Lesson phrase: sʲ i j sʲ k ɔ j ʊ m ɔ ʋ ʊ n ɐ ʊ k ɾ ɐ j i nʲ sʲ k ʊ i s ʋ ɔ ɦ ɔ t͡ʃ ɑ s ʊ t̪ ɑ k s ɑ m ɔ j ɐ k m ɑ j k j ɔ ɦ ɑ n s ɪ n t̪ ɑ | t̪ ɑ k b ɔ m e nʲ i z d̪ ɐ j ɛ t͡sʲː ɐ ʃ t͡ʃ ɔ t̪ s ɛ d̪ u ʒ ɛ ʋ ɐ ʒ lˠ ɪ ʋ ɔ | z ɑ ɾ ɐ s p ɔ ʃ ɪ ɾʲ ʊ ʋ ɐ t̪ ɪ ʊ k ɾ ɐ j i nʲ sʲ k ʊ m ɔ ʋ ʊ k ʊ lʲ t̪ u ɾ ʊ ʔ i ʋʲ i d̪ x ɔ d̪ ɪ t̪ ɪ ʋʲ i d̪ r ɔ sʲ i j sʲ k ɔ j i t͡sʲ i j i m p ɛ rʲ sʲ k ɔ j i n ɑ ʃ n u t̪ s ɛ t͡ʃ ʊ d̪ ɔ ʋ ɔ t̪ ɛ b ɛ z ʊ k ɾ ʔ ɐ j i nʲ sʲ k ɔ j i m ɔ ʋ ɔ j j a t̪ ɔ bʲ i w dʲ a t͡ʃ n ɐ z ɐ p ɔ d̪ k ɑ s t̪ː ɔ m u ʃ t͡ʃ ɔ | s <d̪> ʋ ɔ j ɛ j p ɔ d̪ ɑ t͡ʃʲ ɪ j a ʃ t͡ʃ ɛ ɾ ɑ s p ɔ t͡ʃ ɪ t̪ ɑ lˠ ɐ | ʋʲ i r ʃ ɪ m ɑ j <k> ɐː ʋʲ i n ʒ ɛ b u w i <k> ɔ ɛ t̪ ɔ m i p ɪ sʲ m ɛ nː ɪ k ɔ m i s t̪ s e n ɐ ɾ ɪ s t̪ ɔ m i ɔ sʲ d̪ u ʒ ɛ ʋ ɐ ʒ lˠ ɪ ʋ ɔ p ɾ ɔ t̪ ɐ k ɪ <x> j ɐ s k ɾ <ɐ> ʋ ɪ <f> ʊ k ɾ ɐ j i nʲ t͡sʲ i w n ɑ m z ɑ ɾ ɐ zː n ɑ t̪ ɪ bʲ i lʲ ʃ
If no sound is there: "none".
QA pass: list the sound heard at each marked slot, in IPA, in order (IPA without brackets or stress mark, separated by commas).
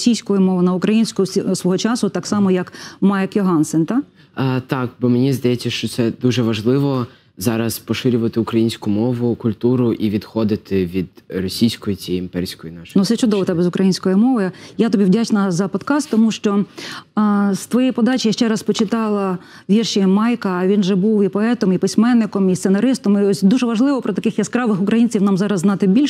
t̪, k, p, x, ɑ, x